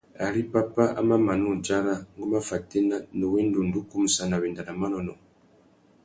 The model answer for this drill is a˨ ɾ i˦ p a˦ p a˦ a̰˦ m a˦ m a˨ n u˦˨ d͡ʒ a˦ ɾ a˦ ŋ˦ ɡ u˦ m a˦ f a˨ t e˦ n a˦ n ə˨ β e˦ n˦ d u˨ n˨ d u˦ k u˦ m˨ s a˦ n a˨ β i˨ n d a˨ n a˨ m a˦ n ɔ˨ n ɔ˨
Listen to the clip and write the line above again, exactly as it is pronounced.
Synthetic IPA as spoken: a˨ ɾ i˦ p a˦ p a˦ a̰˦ m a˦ m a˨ n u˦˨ d͡ʒ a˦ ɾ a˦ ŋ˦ ɡ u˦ m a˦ f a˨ t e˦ n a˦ n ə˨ w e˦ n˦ d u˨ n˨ d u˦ k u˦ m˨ s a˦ n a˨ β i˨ n d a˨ n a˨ m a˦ n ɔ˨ n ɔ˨